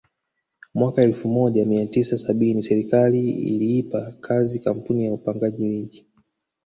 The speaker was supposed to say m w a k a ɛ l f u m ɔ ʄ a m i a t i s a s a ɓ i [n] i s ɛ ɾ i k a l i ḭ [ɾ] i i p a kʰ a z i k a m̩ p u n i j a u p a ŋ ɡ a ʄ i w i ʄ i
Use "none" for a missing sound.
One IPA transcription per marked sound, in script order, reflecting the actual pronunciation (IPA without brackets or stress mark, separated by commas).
n, l